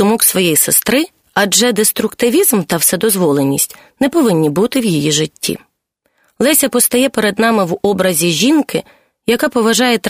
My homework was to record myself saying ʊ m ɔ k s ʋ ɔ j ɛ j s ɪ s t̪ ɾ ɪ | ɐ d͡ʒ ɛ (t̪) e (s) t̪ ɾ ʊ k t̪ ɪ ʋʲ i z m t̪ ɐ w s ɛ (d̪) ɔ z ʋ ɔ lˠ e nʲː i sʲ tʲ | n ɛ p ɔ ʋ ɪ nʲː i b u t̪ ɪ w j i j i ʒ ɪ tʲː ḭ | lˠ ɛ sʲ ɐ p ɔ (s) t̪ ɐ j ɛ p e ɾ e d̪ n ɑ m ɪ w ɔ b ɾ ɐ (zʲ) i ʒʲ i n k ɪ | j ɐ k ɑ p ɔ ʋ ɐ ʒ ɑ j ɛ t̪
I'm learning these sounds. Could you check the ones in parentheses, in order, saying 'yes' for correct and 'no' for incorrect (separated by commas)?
no, yes, yes, yes, yes